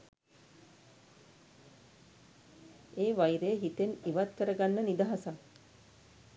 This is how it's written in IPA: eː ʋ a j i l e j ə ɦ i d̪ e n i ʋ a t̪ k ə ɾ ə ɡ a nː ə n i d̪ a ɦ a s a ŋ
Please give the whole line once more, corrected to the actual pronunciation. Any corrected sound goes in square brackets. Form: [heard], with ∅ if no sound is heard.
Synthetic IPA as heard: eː ʋ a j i [ɾ] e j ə ɦ i [t̪] e n i ʋ a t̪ k ə ɾ ə ɡ a nː ə n i d̪ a ɦ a s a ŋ